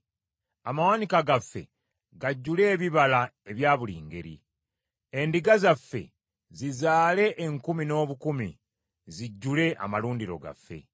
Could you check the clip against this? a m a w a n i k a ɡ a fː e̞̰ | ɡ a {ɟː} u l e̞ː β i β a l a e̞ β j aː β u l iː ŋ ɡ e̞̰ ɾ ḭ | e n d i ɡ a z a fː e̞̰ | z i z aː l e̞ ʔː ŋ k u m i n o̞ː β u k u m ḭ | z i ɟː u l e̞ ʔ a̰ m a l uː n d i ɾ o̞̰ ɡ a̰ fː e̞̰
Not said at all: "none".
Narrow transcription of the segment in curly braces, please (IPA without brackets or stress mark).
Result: ɟː